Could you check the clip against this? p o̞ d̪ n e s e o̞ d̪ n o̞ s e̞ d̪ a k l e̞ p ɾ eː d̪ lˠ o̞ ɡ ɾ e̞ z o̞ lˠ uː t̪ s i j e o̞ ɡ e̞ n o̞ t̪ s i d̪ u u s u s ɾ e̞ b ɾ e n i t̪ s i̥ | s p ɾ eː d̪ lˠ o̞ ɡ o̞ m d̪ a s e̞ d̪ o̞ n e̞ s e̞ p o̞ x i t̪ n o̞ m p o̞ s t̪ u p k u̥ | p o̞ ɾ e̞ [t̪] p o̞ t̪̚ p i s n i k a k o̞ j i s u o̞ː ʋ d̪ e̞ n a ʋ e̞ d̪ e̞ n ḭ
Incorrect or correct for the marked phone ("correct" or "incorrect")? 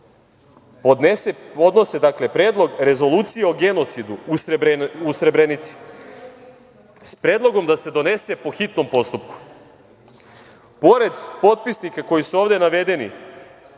incorrect